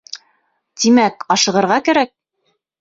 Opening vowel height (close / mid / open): close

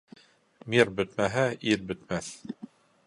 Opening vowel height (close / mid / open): close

